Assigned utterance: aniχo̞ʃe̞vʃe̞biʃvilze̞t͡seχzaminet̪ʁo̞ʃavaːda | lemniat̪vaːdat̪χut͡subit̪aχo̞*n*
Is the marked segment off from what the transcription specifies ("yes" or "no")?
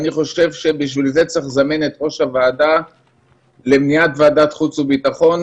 no